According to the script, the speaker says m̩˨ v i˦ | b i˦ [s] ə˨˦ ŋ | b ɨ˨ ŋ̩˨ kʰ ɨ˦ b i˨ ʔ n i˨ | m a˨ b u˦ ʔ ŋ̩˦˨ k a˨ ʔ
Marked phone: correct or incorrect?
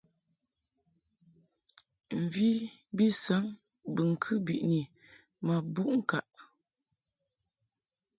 correct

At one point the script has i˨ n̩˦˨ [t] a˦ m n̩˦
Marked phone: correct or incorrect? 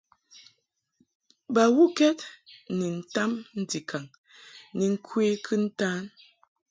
correct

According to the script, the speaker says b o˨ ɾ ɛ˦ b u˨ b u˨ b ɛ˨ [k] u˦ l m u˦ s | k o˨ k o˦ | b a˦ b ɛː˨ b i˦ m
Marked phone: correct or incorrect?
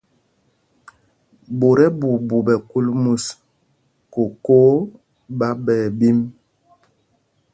correct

